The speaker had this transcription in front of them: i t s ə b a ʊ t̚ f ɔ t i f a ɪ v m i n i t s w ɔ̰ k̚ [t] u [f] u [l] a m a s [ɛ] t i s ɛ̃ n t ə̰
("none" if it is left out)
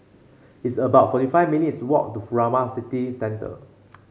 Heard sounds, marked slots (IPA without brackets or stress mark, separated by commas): t, f, ɹ, i